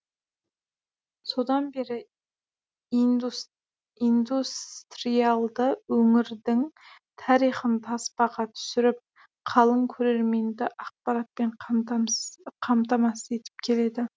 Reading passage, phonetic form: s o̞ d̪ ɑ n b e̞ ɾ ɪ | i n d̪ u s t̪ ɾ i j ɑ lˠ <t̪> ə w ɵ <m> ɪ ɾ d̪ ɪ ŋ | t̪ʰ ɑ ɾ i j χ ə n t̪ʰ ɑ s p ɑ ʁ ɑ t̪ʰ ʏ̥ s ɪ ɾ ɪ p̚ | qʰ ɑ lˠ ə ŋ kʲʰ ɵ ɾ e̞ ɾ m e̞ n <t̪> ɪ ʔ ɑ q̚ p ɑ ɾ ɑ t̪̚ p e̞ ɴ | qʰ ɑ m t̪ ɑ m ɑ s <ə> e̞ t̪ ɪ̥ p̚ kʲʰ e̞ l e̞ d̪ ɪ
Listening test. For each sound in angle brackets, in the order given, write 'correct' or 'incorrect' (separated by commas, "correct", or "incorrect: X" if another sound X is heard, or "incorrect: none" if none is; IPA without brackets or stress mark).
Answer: incorrect: d̪, incorrect: ŋ, incorrect: d̪, correct